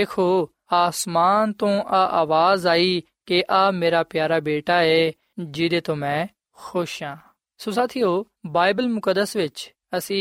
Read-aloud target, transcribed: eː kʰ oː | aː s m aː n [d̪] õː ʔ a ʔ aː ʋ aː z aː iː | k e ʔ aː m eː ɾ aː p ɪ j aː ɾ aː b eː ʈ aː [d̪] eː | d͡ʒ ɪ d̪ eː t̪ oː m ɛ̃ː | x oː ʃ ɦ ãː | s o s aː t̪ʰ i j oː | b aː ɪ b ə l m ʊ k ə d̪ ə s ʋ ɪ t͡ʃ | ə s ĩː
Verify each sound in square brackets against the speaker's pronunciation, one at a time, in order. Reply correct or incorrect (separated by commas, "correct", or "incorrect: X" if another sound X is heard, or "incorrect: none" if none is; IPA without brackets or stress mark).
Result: incorrect: t̪, incorrect: none